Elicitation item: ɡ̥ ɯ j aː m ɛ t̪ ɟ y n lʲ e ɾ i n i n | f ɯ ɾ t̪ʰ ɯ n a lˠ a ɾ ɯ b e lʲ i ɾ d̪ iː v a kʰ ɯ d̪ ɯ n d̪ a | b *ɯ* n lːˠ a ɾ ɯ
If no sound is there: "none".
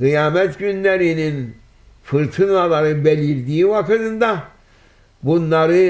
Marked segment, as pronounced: u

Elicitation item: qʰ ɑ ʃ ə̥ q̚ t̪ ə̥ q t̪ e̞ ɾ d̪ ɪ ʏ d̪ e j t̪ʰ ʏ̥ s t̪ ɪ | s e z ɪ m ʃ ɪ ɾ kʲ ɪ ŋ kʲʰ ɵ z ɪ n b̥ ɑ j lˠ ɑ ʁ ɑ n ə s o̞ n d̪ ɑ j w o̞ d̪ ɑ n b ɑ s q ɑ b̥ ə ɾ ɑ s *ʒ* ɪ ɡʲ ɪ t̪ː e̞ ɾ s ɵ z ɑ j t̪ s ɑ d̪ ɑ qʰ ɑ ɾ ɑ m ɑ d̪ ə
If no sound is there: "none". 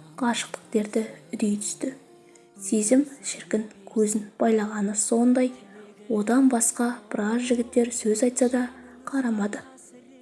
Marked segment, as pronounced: ʒ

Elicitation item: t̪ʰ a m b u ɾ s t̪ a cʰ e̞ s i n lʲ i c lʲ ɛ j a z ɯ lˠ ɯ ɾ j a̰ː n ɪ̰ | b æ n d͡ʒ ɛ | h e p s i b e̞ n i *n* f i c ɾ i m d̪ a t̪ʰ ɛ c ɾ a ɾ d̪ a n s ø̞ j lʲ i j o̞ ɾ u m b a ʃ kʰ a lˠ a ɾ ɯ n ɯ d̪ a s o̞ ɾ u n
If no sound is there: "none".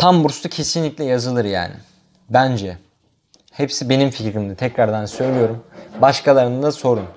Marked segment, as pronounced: m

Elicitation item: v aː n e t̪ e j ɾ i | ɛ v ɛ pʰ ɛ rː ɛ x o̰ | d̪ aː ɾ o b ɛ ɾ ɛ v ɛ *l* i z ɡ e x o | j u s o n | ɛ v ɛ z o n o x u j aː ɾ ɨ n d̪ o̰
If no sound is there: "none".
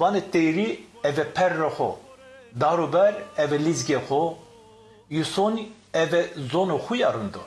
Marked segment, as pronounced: l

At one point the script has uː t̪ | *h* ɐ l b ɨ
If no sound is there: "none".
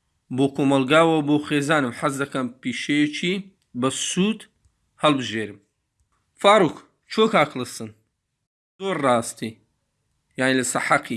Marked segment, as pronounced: h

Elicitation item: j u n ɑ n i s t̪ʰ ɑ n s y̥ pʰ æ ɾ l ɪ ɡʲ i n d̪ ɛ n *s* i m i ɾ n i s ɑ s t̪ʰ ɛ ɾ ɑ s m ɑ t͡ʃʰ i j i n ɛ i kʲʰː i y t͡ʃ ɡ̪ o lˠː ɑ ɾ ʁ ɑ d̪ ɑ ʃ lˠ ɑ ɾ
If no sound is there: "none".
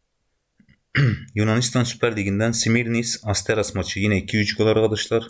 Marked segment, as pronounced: s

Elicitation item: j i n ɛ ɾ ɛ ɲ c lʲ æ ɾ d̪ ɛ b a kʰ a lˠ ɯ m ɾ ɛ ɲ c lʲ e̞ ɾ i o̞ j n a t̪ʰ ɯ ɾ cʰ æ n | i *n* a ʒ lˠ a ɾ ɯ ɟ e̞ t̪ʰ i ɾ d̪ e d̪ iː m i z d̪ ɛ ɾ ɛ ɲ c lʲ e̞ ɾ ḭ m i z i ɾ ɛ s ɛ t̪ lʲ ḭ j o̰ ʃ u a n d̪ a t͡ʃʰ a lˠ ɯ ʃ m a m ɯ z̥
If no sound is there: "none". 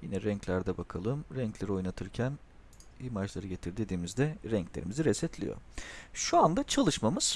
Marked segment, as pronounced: m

